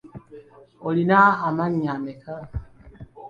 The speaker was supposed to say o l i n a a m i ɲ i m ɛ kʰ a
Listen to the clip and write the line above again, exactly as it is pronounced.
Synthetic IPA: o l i n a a m a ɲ a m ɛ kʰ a

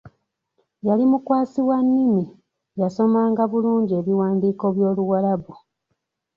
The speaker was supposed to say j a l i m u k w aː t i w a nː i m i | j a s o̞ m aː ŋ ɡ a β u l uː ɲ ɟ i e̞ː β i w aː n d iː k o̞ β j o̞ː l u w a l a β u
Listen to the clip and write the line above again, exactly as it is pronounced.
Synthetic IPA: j a l i m u k w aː s i w a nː i m i | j a s o̞ m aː ŋ ɡ a β u l uː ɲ ɟ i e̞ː β i w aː n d iː k o̞ β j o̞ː l u w a l a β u

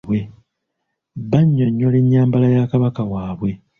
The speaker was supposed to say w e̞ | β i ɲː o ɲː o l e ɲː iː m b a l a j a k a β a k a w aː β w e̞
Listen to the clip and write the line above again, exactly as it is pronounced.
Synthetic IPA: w e̞ | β a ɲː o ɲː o l e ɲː aː m b a l a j a k a β a k a w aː β w e̞

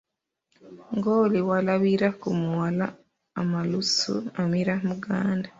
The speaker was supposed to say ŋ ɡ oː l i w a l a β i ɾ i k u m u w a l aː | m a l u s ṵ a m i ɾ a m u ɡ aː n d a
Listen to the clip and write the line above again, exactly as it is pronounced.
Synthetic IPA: ŋ ɡ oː l i w a l a β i ɾ a k u m u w a l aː | m a l u s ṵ a m i ɾ a m u ɡ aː n d a

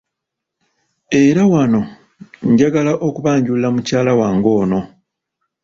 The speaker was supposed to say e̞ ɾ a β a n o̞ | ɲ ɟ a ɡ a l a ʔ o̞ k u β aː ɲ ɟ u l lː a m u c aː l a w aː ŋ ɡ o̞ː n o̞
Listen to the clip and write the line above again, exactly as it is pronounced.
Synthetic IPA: e̞ ɾ a w a n o̞ | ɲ ɟ a ɡ a l a ʔ o̞ k u β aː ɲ ɟ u l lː a m u c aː l a w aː ŋ ɡ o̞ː n o̞

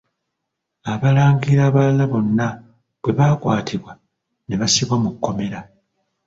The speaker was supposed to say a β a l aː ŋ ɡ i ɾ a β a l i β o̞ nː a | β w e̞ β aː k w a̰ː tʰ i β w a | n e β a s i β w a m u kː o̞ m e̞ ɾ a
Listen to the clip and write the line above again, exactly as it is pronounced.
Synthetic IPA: a β a l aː ŋ ɡ i ɾ a β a l a β o̞ nː a | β w e̞ β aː k w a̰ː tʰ i β w a | n e β a s i β w a m u kː o̞ m e̞ ɾ a

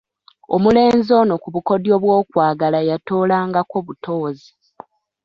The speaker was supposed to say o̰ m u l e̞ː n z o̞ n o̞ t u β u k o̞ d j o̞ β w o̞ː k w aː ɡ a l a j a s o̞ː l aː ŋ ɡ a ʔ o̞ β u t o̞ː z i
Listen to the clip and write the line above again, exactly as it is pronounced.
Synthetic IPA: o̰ m u l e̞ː n z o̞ n o̞ k u β u k o̞ d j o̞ β w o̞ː k w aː ɡ a l a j a t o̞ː l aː ŋ ɡ a k o̞ β u t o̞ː z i

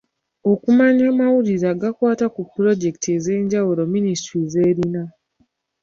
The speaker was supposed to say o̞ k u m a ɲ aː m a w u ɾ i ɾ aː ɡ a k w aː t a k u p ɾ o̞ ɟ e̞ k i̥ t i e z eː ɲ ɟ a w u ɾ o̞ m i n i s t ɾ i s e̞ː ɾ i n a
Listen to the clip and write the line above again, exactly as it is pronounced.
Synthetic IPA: o̞ k u m a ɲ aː m a w u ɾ i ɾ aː ɡ a k w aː t a k u p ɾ o̞ ɟ e̞ k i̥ t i e z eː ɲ ɟ a w u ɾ o̞ m i n i s t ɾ i z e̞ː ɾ i n a

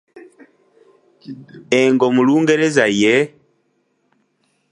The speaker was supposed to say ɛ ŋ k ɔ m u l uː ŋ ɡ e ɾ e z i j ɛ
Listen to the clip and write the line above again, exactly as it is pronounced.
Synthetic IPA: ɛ ŋ ɡ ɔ m u l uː ŋ ɡ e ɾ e z a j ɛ

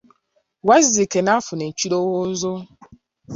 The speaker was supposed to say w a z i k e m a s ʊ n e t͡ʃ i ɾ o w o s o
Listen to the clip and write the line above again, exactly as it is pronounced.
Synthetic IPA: w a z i k e n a f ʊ n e t͡ʃ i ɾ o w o z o

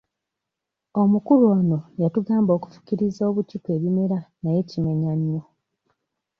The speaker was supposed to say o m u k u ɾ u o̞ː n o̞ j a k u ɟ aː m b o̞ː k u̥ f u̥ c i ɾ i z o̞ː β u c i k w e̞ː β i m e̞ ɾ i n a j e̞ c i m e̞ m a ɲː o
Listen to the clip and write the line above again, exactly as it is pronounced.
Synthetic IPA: o m u k u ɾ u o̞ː n o̞ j a t u ɡ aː m b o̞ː k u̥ f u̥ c i ɾ i z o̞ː β u c i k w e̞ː β i m e̞ ɾ a n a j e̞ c i m e̞ ɲ a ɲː o

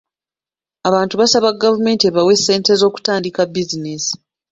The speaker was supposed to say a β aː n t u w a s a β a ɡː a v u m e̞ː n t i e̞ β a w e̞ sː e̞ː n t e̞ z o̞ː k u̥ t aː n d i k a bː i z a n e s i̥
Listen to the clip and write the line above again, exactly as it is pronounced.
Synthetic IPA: a β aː n t u β a s a β a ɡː a v u m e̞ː n t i e̞ β a w e̞ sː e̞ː n t e̞ z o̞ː k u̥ t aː n d i k a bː i z i n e s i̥

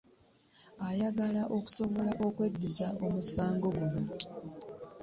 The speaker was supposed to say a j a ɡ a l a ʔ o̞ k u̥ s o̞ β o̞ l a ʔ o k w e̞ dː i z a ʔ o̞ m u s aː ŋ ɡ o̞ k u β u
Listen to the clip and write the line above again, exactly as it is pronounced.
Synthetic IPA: a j a ɡ a l a ʔ o̞ k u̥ s o̞ β o̞ l a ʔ o k w e̞ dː i z a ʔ o̞ m u s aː ŋ ɡ o̞ ɡ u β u

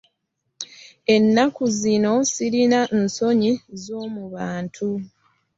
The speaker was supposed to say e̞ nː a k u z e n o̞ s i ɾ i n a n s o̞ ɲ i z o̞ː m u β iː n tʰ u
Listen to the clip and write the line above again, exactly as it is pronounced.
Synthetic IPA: e̞ nː a k u z i n o̞ s i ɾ i n a n s o̞ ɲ i z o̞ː m u β aː n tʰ u

